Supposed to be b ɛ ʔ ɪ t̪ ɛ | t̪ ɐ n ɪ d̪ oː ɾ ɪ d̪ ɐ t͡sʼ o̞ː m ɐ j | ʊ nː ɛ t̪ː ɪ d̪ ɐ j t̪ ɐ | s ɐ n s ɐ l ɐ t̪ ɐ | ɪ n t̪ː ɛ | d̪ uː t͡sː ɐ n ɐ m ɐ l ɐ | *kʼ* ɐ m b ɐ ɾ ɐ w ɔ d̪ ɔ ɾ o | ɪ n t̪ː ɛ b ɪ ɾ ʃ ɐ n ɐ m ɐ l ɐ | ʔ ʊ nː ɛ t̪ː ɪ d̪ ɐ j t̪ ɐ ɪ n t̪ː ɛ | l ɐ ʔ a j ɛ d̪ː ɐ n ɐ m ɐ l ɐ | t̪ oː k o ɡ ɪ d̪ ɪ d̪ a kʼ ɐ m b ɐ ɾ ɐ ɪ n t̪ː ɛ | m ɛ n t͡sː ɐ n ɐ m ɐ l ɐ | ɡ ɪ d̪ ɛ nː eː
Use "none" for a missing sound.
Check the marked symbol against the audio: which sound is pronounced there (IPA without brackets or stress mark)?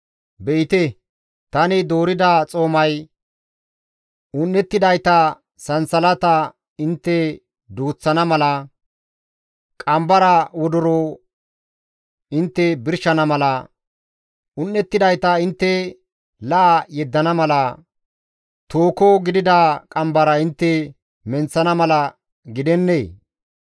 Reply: kʼ